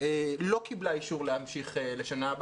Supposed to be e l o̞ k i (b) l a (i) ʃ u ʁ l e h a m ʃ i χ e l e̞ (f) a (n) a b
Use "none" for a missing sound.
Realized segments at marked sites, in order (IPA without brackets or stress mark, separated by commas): b, i, ʃ, n